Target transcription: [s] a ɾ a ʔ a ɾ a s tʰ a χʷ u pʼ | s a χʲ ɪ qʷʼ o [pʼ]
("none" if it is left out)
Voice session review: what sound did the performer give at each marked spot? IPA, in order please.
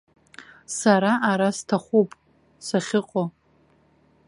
s, none

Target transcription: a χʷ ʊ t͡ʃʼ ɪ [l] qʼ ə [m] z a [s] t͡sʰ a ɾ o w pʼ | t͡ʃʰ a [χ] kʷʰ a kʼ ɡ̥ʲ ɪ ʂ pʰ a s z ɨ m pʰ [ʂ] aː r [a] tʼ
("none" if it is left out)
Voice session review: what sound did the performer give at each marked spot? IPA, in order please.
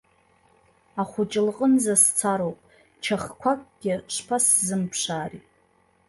l, n, s, χ, ʂ, i

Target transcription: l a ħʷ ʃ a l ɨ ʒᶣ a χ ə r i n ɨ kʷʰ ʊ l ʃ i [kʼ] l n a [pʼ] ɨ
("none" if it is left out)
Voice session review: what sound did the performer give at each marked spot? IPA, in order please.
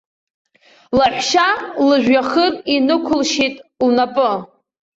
tʼ, pʼ

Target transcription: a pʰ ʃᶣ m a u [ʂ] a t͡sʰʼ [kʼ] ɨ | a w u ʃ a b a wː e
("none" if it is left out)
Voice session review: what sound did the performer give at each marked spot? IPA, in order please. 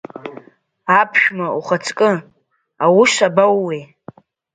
χ, kʼ

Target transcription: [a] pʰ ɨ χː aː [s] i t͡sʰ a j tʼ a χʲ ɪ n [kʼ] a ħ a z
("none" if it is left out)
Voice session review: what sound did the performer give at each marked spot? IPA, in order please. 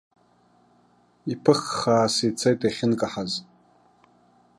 i, s, kʼ

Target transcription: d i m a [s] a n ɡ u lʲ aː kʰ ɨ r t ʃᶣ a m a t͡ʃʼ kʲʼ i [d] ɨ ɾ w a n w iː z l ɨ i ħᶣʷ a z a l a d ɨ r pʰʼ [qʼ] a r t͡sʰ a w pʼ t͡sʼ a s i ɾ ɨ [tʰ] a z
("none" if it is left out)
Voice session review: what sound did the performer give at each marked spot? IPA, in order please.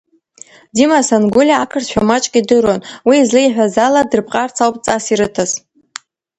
s, d, qʼ, tʰ

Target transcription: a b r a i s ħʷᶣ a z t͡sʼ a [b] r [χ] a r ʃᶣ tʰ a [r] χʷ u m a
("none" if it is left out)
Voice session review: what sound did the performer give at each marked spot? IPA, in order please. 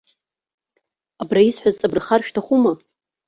b, χ, none

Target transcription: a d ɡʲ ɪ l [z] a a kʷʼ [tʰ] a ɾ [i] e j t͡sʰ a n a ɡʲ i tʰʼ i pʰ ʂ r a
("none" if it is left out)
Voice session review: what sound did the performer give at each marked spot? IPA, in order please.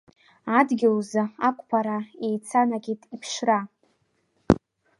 z, pʰ, a

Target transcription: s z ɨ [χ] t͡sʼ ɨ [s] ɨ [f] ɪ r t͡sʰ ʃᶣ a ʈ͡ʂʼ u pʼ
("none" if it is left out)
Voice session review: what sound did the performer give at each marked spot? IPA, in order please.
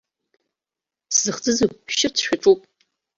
χ, z, ʃ

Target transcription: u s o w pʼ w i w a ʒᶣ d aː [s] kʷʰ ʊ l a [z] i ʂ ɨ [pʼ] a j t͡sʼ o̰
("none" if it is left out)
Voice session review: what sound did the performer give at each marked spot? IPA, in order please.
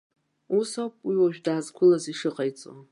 z, z, qʼ

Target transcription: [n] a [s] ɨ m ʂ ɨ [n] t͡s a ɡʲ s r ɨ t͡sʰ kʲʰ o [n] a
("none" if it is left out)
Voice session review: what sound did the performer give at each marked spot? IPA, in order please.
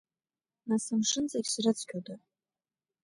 n, s, n, d

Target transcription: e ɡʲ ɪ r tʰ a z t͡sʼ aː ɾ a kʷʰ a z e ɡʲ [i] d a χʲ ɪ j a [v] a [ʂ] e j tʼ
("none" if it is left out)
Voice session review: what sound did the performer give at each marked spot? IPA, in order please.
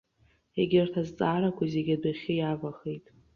a, v, χ

